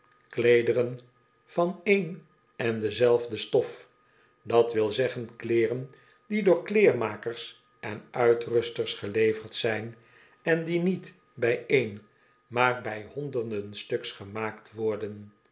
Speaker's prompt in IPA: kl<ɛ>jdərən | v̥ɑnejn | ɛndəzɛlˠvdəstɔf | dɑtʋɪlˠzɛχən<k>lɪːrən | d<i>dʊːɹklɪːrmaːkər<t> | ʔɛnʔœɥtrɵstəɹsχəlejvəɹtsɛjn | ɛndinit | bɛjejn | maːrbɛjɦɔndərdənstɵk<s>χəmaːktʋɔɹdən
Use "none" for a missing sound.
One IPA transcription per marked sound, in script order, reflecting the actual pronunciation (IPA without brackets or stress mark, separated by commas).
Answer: e, k, i, s, s